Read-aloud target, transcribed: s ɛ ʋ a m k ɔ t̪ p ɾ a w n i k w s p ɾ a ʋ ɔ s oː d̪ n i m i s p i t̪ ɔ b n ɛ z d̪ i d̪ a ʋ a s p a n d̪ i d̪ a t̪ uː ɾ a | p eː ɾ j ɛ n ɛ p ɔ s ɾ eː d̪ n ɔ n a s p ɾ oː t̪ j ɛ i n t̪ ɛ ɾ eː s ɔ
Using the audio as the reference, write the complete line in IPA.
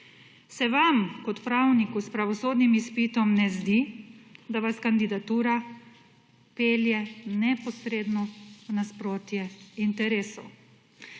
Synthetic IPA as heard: s ɛ ʋ a m k ɔ t̪ p ɾ a w n i k u s p ɾ a ʋ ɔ s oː d̪ n i m i s p i t̪ ɔ m n ɛ z d̪ i d̪ a ʋ a s k a n d̪ i d̪ a t̪ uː ɾ a | p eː l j ɛ n ɛ p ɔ s ɾ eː d̪ n ɔ n a s p ɾ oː t̪ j ɛ i n t̪ ɛ ɾ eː s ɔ